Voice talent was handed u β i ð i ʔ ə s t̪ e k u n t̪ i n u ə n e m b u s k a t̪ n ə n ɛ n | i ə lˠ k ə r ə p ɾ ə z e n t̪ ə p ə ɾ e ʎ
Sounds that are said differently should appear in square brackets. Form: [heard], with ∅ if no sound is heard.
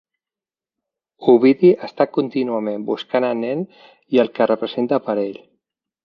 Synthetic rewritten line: u β i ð i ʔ ə s t̪ [a] k u n t̪ i n u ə [m] e m b u s k a [∅] n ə n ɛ n | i ə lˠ k ə r ə p ɾ ə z e n t̪ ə p ə ɾ e ʎ